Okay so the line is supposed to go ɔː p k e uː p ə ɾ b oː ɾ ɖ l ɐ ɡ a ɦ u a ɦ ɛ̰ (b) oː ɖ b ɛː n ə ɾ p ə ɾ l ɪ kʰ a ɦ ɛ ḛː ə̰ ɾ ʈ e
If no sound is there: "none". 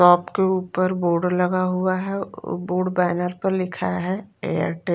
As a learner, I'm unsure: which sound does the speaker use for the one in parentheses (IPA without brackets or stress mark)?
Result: b